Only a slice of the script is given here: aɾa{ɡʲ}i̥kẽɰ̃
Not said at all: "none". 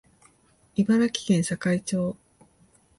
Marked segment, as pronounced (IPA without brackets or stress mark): kʲ